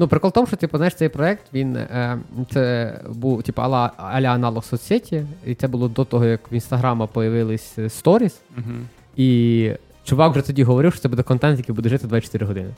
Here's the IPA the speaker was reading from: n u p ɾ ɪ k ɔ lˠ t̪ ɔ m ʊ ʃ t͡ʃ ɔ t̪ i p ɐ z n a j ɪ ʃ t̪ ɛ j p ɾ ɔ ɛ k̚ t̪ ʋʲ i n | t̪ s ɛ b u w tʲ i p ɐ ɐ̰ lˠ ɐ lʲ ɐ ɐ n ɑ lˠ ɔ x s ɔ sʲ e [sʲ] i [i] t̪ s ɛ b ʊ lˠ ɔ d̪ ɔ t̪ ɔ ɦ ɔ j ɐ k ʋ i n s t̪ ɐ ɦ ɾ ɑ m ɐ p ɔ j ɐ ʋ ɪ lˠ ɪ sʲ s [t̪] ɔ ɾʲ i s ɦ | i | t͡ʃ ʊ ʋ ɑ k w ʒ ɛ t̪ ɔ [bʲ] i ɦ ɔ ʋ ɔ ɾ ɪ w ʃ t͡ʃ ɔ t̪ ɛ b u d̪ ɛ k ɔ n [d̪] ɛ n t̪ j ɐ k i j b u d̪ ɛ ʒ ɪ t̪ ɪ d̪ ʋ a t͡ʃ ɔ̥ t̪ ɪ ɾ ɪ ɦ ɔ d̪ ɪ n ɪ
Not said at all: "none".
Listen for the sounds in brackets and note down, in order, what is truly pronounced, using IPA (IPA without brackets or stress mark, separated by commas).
tʲ, i, t̪, dʲ, t̪